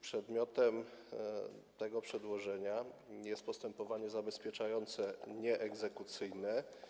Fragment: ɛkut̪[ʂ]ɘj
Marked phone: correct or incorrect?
incorrect